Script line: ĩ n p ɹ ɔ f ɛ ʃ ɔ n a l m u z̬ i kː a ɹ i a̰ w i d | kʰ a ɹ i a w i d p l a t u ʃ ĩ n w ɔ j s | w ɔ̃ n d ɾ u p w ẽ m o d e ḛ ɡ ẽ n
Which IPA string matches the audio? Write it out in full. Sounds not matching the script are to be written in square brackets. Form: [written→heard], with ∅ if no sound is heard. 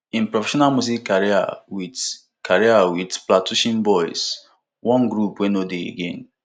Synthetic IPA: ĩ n p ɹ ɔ f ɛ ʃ ɔ n a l m u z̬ i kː a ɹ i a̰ w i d | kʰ a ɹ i a w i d p l a t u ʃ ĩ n [w→b] ɔ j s | w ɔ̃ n [d→ɡ] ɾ u p w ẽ [m→n] o d e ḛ ɡ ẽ n